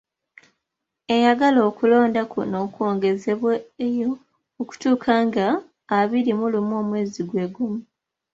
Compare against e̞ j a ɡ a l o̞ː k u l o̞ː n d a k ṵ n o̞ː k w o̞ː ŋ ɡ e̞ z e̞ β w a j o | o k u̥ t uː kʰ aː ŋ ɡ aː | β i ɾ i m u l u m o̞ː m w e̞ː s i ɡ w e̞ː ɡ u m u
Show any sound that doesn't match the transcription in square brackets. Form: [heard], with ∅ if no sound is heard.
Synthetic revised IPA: e̞ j a ɡ a l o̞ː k u l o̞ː n d a k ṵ n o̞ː k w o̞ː ŋ ɡ e̞ z e̞ β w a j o | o k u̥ t uː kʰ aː ŋ ɡ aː | β i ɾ i m u l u m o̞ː m w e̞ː [z] i ɡ w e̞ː ɡ u m u